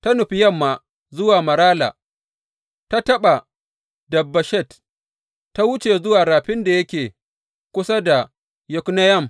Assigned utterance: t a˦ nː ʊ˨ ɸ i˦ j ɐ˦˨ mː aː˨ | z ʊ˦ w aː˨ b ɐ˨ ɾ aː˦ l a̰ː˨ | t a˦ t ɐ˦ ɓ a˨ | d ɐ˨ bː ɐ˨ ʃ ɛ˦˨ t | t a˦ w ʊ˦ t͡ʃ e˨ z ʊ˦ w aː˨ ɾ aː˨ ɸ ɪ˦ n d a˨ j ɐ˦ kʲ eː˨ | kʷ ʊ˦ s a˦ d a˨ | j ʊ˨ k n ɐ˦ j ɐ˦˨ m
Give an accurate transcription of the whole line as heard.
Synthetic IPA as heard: t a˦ n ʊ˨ ɸ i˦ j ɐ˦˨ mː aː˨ | z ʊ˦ w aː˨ m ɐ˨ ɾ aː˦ l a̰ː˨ | t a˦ t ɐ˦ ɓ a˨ | d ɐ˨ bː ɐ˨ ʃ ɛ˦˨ t | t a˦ w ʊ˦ t͡ʃ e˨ z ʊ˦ w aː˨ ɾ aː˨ ɸ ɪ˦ n d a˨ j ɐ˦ kʲ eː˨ | kʷ ʊ˦ s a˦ d a˨ | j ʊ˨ k n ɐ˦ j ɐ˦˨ m